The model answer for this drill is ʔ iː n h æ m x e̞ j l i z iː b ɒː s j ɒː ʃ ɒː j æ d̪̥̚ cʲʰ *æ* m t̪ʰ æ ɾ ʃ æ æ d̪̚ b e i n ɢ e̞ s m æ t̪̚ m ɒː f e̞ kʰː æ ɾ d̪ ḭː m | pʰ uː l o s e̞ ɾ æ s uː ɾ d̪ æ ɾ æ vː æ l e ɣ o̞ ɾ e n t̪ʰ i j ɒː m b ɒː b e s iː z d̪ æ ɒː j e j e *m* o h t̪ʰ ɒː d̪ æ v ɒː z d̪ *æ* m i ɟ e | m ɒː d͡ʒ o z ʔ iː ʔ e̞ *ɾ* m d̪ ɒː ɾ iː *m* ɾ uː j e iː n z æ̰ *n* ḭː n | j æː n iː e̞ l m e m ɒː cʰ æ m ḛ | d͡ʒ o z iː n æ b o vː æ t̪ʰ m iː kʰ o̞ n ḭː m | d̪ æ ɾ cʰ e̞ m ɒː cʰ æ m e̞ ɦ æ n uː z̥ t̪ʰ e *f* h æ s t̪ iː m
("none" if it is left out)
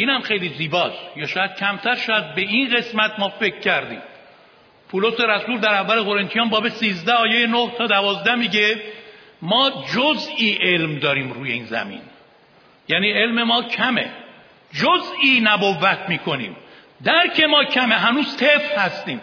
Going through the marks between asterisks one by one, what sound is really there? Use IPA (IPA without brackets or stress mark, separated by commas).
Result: æ, n, æ, l, m, m, f